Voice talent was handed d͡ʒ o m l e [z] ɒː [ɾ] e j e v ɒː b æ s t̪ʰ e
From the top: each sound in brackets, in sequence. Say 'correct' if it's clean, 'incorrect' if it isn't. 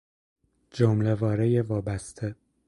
incorrect: v, correct

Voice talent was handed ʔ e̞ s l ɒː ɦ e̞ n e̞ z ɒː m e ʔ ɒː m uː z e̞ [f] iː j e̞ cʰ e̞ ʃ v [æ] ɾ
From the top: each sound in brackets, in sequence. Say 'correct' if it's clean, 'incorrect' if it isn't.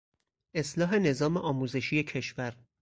incorrect: ʃ, correct

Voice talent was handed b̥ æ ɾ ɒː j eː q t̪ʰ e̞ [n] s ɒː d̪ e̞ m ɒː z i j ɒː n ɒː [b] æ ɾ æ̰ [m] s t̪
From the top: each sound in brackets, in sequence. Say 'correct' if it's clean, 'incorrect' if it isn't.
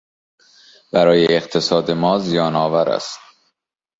incorrect: none, incorrect: v, incorrect: none

